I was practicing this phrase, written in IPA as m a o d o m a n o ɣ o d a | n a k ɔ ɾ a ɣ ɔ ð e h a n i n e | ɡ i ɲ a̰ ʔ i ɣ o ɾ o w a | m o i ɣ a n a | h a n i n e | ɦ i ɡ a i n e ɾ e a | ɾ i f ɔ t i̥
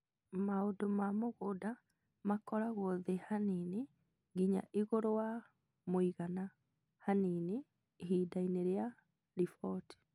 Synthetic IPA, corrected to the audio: m a o d o m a m o ɣ o d a | m a k ɔ ɾ a ɣ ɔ ð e h a n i n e | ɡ i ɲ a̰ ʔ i ɣ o ɾ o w a | m o i ɣ a n a | h a n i n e | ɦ i d a i n e ɾ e a | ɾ i f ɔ t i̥

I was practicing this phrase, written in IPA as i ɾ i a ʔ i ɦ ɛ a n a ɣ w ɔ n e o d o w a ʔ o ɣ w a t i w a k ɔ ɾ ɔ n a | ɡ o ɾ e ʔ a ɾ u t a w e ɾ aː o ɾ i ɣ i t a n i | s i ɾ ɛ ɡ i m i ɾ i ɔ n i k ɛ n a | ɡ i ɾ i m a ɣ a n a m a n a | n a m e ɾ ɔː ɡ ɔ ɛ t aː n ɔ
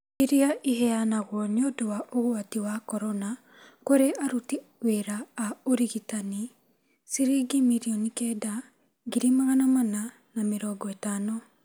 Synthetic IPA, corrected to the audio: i ɾ i a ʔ i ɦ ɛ a n a ɣ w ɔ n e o d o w a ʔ o ɣ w a t i w a k ɔ ɾ ɔ n a | k o ɾ e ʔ a ɾ u t i w e ɾ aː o ɾ i ɣ i t a n i | s i ɾ i ɡ i m i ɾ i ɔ n i k ɛ d a | ɡ i ɾ i m a ɣ a n a m a n a | n a m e ɾ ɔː ɡ ɔ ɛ t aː n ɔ

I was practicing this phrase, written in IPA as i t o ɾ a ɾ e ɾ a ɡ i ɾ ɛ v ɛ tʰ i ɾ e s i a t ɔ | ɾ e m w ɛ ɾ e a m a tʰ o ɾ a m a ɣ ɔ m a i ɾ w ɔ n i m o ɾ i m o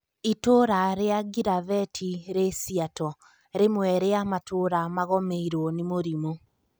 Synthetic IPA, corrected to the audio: i t o ɾ a ɾ e a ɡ i ɾ a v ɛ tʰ i ɾ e s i a t ɔ | ɾ e m w ɛ ɾ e a m a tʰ o ɾ a m a ɣ ɔ m e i ɾ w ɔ n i m o ɾ i m o

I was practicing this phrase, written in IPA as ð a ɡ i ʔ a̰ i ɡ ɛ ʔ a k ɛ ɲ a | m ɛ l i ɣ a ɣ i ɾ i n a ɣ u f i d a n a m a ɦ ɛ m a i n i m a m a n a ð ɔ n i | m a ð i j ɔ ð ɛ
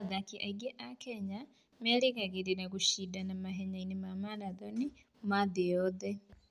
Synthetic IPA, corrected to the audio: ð a k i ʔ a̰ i ɡ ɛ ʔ a k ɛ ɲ a | m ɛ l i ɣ a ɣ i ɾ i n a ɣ u ʃ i d a n a m a ɦ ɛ ɲ a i n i m a m a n a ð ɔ n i | m a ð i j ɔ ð ɛ

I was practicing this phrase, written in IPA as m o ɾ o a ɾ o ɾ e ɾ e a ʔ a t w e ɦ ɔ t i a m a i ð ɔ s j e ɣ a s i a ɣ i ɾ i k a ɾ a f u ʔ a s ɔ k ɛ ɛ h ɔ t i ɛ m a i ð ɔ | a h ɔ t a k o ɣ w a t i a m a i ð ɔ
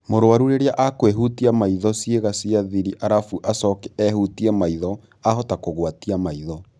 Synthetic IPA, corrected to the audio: m o ɾ o a ɾ u ɾ e ɾ e a ʔ a k w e ɦ u t i a m a i ð ɔ s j e ɣ a s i a ð i ɾ i ʔ a ɾ a f u ʔ a s ɔ k ɛ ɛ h u t i ɛ m a i ð ɔ | a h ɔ t a k o ɣ w a t i a m a i ð ɔ

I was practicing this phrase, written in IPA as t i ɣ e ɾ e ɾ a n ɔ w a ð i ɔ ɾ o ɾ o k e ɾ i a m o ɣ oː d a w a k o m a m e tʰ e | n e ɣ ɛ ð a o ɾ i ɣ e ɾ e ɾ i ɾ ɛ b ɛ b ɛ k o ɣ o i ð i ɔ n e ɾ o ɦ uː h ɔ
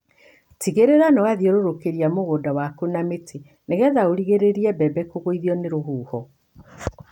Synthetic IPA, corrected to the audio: t i ɣ e ɾ e ɾ a n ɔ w a ð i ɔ ɾ o ɾ o k e ɾ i a m o ɣ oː d a w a k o n a m e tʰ e | n e ɣ ɛ ð a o ɾ i ɣ e ɾ e ɾ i ɛ b ɛ b ɛ k o ɣ o i ð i ɔ n e ɾ o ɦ uː h ɔ

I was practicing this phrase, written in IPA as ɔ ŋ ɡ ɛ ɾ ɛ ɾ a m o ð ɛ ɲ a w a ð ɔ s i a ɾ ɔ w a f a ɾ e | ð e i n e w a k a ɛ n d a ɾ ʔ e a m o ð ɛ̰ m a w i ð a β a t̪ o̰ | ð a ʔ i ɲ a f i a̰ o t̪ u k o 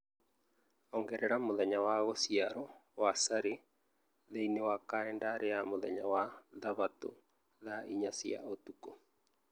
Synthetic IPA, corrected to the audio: ɔ ŋ ɡ ɛ ɾ ɛ ɾ a m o ð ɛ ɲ a w a ɣ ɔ s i a ɾ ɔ w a s a ɾ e | ð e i n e w a k a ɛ n d a ɾ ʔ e a m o ð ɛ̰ ɲ a w a ð a β a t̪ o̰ | ð a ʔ i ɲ a s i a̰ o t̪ u k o

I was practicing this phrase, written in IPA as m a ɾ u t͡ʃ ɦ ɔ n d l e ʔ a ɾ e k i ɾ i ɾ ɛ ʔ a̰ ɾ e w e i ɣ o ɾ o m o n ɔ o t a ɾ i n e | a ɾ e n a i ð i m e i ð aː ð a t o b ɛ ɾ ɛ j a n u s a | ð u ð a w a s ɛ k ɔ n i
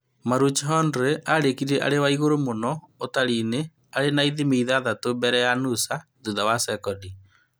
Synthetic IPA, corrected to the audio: m a ɾ u t͡ʃ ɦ ɔ n d ɾ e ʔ a ɾ e k i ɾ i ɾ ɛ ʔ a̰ ɾ e w a i ɣ o ɾ o m o n ɔ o t a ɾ i n e | a ɾ e n a i ð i m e i ð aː ð a t o b ɛ ɾ ɛ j a n u s a | ð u ð a w a s ɛ k ɔ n i

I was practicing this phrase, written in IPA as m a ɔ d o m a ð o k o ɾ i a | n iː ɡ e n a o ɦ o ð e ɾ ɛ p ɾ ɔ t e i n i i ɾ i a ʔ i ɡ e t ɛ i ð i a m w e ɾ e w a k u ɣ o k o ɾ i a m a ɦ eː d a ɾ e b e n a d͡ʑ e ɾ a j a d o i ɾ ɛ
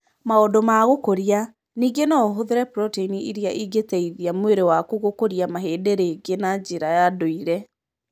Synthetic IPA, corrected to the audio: m a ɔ d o m a ɣ o k o ɾ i a | n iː ɡ e n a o ɦ o ð e ɾ ɛ p ɾ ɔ t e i n i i ɾ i a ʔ i ɡ e t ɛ i ð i a m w e ɾ e w a k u ɣ o k o ɾ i a m a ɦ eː d e ɾ e ɡ e n a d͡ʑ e ɾ a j a d o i ɾ ɛ

